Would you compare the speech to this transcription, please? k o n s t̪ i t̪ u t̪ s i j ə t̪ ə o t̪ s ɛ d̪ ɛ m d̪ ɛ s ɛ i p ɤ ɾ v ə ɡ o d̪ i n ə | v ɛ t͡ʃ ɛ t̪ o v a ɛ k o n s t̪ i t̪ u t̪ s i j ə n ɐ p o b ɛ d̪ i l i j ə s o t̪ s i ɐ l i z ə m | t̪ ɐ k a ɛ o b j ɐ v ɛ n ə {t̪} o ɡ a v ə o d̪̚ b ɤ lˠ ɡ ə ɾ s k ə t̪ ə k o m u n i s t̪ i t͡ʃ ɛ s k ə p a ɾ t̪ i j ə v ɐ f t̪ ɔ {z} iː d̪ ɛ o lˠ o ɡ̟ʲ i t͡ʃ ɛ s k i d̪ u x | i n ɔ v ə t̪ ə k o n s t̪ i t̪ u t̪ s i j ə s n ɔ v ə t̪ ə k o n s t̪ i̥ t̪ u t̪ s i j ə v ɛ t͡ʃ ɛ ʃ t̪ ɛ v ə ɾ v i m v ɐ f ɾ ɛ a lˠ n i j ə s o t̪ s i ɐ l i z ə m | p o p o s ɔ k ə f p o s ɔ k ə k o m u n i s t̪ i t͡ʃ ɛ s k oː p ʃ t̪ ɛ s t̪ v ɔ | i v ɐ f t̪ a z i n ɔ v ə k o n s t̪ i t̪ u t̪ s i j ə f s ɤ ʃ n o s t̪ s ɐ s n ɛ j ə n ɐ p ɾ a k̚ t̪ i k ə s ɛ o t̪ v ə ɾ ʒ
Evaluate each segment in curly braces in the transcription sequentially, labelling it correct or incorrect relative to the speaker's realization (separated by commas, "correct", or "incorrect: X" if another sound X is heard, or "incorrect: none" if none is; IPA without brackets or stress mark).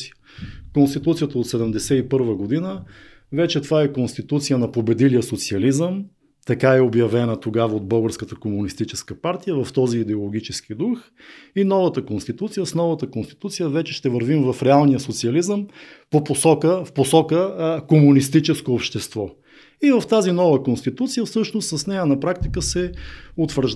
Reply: correct, correct